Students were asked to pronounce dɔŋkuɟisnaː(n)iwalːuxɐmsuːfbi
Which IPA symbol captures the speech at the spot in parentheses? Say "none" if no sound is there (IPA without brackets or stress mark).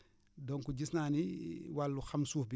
n